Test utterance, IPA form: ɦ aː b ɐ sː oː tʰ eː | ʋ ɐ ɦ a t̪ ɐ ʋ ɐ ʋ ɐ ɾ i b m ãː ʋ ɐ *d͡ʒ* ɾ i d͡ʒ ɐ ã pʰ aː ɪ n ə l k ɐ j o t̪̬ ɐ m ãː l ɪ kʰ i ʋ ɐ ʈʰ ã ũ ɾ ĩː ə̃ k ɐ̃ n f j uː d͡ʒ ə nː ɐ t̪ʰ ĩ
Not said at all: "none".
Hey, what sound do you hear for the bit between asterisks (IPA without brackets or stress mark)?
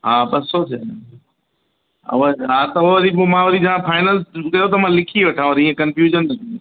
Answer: none